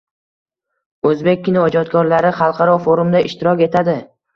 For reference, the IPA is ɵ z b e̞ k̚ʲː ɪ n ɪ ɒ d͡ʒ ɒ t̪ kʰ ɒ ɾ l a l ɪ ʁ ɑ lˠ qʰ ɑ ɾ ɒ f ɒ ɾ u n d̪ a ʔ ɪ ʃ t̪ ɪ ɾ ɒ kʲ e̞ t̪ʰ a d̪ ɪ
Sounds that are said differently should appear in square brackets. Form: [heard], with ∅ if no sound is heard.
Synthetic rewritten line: ɵ z b e̞ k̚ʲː ɪ n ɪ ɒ d͡ʒ ɒ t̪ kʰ ɒ ɾ l a [ɾ] ɪ [χ] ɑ lˠ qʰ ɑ ɾ ɒ f [o] ɾ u [m] d̪ a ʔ ɪ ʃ t̪ ɪ ɾ ɒ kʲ e̞ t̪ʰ a d̪ ɪ